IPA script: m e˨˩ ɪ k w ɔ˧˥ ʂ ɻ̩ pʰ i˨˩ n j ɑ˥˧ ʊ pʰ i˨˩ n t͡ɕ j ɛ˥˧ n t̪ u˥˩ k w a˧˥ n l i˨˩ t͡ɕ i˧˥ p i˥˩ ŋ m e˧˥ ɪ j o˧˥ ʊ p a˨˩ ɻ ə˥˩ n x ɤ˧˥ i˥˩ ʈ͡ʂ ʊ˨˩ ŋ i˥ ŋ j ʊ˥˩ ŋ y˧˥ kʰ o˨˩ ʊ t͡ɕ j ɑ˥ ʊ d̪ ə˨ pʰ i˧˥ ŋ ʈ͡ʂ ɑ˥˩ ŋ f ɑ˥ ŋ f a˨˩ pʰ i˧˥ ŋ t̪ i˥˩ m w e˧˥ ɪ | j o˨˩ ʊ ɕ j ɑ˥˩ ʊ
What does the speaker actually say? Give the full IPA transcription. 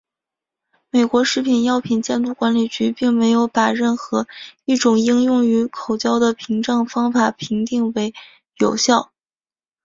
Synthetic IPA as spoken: m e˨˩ ɪ k w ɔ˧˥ ʂ ɻ̩ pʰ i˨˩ n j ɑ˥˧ ʊ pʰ i˨˩ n t͡ɕ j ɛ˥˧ n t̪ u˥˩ k w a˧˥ n l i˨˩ t͡ɕ y˧˥ p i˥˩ ŋ m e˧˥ ɪ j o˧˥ ʊ p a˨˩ ɻ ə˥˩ n x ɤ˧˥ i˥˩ ʈ͡ʂ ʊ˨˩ ŋ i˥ ŋ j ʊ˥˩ ŋ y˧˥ kʰ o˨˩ ʊ t͡ɕ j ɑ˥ ʊ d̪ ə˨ pʰ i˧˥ ŋ ʈ͡ʂ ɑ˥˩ ŋ f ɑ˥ ŋ f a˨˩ pʰ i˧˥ ŋ t̪ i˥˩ ŋ w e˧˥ ɪ | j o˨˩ ʊ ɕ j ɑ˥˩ ʊ

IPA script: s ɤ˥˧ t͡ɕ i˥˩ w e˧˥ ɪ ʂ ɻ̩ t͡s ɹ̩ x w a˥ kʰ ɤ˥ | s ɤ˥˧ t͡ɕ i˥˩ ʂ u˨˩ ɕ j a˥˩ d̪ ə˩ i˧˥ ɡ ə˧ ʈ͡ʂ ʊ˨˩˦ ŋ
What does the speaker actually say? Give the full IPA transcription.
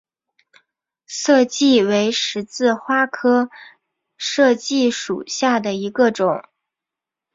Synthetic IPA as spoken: s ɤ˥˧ t͡ɕ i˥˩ w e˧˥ ɪ ʂ ɻ̩ t͡s ɹ̩ x w a˥ kʰ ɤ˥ | ʂ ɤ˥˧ t͡ɕ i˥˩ ʂ u˨˩ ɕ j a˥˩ d̪ ə˩ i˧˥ ɡ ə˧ ʈ͡ʂ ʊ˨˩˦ ŋ

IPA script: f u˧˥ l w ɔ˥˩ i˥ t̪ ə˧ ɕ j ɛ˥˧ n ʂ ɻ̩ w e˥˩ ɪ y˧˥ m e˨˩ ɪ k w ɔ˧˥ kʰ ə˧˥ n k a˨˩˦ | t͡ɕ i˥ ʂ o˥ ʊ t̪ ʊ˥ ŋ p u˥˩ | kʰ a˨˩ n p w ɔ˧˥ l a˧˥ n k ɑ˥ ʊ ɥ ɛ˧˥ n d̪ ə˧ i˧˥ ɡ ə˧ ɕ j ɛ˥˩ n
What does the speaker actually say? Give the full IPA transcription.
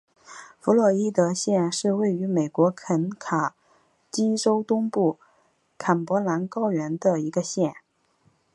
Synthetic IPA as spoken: f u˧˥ l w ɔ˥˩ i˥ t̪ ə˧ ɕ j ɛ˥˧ n ʂ ɻ̩ w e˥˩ ɪ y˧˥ m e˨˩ ɪ k w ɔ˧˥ kʰ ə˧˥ n kʰ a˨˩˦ | t͡ɕ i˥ ʈ͡ʂ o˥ ʊ t̪ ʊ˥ ŋ p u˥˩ | kʰ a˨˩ n p w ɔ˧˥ l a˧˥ n k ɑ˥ ʊ ɥ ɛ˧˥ n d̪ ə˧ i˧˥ ɡ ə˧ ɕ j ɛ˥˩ n

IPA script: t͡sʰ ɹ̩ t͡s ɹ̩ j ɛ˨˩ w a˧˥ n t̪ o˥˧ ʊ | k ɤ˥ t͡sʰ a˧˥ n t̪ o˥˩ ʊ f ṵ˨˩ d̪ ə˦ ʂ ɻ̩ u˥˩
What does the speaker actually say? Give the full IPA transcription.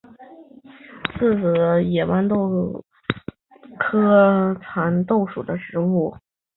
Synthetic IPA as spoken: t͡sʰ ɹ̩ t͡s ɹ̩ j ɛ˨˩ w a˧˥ n t̪ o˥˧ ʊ | kʰ ɤ˥ t͡sʰ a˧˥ n t̪ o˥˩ ʊ ʂ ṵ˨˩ d̪ ə˦ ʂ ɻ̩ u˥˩

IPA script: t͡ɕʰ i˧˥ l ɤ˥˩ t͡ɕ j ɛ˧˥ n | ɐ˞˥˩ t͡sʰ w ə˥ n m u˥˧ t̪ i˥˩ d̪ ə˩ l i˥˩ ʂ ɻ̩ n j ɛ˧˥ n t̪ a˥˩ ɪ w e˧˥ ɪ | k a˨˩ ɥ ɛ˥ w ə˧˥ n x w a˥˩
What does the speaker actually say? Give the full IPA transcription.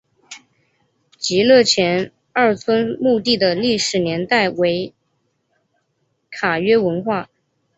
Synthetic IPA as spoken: t͡ɕ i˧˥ l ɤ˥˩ t͡ɕʰ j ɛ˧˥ n | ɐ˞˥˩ t͡sʰ w ə˥ n m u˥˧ t̪ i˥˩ d̪ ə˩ l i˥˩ ʂ ɻ̩ n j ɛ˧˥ n t̪ a˥˩ ɪ w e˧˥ ɪ | kʰ a˨˩ ɥ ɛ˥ w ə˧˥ n x w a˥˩

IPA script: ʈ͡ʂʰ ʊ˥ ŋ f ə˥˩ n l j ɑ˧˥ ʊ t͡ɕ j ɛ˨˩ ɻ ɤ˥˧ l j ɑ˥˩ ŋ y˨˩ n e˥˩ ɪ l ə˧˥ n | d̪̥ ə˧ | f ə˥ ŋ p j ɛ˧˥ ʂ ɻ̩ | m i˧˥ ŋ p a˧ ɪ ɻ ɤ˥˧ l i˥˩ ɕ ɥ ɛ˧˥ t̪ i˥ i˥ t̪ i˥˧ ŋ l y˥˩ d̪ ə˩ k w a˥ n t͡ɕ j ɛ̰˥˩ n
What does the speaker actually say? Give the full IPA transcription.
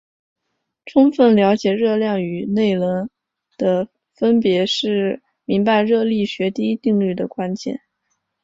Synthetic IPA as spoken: ʈ͡ʂʰ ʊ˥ ŋ f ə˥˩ n l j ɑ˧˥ ʊ t͡ɕ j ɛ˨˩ ɻ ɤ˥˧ l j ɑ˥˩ ŋ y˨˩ n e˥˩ ɪ l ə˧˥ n | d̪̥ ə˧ | f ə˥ n p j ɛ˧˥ ʂ ɻ̩ | m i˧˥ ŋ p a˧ ɪ ɻ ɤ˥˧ l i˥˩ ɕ ɥ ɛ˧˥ t̪ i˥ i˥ t̪ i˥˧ ŋ l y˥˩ d̪ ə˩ k w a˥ n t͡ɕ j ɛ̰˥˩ n

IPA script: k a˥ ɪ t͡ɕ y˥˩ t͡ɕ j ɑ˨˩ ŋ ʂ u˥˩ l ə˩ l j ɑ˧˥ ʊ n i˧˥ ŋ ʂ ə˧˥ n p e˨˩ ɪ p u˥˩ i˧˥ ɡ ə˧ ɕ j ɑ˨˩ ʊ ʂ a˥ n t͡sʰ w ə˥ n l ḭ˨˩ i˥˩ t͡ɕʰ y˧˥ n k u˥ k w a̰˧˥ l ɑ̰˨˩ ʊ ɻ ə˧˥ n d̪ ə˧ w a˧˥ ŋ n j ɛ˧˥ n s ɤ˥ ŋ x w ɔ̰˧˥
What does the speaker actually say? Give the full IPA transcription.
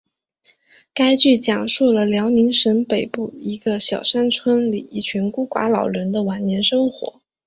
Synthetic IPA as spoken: k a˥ ɪ t͡ɕ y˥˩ t͡ɕ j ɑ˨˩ ŋ ʂ u˥˩ l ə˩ l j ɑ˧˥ ʊ n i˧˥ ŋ ʂ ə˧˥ n p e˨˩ ɪ p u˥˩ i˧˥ ɡ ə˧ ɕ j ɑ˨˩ ʊ ʂ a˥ n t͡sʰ w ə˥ n l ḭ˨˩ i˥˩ t͡ɕʰ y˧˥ n k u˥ k w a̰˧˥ l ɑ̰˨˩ ʊ ɻ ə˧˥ n d̪ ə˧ w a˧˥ n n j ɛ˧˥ n ʂ ɤ˥ ŋ x w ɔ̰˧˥

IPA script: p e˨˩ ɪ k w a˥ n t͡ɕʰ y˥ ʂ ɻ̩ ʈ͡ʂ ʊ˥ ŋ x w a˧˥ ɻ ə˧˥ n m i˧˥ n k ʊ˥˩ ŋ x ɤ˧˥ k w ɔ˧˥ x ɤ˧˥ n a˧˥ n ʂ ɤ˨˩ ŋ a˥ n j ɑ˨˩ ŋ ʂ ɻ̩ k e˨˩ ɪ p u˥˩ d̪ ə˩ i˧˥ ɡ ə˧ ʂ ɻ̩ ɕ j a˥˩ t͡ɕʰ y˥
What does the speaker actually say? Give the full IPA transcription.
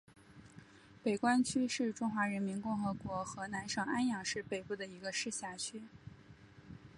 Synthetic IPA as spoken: p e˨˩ ɪ k w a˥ n t͡ɕʰ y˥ ʂ ɻ̩ ʈ͡ʂ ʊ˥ ŋ x w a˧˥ ɻ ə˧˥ n m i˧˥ n k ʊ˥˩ ŋ x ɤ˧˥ k w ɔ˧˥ x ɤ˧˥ n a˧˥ n ʂ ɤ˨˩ ŋ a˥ n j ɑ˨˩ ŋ ʂ ɻ̩ p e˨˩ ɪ p u˥˩ d̪ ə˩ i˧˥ ɡ ə˧ ʂ ɻ̩ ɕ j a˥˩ t͡ɕʰ y˥

